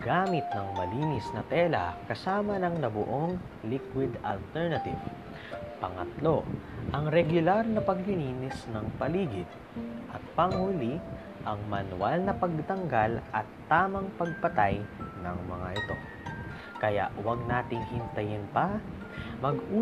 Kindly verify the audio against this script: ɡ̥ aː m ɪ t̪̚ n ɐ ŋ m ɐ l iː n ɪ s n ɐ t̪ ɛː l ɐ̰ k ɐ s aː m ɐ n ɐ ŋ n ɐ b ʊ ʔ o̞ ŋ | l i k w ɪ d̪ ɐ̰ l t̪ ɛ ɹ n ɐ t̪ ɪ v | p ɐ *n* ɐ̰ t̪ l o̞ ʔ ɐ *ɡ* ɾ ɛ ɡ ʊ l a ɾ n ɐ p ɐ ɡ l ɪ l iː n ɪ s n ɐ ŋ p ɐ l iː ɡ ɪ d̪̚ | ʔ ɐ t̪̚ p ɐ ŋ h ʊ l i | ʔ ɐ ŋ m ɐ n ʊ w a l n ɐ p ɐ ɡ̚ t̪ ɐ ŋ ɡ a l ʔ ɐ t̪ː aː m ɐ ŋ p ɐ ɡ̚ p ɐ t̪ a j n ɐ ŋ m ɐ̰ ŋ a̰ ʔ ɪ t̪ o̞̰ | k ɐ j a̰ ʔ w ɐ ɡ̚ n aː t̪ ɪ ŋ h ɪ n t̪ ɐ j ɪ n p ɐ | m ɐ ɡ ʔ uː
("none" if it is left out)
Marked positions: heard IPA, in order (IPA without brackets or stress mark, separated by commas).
ŋ, ŋ